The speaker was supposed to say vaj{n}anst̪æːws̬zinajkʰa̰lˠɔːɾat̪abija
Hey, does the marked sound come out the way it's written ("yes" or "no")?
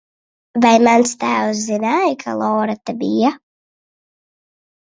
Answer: no